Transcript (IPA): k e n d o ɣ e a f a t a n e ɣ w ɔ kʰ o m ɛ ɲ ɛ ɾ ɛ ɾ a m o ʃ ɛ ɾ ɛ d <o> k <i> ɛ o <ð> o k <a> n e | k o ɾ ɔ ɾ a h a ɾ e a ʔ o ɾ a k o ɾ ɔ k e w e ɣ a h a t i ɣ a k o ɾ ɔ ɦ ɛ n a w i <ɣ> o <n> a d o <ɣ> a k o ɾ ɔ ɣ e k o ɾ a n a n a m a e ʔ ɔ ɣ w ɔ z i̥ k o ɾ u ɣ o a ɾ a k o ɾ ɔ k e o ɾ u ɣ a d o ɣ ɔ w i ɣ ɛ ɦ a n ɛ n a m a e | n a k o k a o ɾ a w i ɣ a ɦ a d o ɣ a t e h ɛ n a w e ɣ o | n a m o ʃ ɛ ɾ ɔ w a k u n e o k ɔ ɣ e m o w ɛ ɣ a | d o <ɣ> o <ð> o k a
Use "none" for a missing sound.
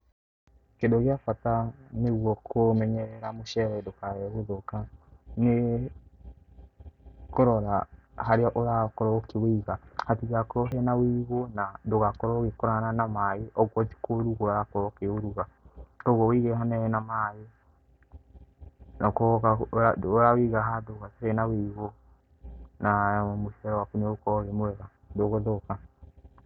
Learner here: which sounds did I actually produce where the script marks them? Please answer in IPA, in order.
o, a, ð, a, ɣ, n, ɣ, ɣ, ð

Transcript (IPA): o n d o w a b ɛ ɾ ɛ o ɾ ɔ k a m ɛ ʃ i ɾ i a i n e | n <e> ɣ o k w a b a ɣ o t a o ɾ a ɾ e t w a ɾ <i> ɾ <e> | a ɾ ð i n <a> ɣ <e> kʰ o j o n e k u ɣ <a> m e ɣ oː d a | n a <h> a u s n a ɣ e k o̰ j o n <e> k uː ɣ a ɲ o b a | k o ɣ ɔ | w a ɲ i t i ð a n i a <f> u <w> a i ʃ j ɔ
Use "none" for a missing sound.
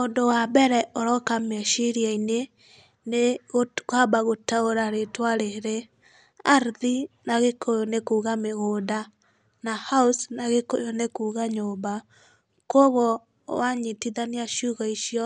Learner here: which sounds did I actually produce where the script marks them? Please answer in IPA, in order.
e, e, e, a, e, a, h, e, ʃ, ɣ

